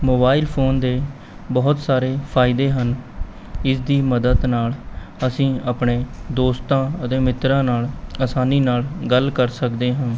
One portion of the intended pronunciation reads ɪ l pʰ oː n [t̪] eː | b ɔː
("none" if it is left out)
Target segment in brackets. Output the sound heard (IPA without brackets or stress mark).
d̪